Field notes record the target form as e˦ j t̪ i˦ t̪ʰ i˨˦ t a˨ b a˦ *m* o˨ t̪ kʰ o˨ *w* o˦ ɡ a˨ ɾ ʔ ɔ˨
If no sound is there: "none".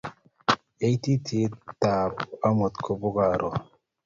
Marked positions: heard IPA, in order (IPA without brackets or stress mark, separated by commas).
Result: m, b